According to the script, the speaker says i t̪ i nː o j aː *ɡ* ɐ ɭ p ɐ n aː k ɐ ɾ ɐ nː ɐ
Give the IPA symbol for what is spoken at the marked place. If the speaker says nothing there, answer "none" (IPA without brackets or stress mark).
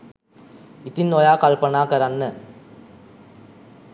k